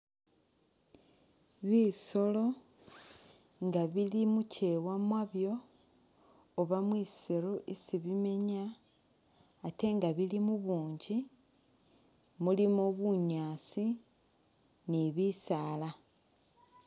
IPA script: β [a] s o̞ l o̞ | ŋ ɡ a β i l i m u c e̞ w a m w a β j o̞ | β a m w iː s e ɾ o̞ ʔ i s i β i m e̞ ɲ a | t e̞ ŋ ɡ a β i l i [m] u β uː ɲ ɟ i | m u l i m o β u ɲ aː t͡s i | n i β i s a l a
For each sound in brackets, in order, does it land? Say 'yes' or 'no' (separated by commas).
no, yes